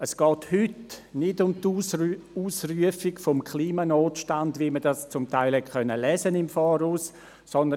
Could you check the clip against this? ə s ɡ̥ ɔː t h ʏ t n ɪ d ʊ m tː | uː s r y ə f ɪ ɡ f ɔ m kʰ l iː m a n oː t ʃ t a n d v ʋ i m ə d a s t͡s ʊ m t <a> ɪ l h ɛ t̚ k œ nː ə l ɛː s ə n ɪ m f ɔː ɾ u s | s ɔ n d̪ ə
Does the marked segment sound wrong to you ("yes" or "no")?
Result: no